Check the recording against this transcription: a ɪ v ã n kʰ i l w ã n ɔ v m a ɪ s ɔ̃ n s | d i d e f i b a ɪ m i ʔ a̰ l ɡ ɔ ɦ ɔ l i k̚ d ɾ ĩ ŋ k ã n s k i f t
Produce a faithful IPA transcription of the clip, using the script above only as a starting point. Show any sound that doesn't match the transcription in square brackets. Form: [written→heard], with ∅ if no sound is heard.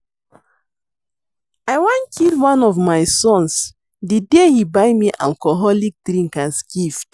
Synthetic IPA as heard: a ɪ [v→w] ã n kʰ i l w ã n ɔ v m a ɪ s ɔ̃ n s | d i d e [f→h] i b a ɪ m i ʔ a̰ l [ɡ→k] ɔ ɦ ɔ l i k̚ d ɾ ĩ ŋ k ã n s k i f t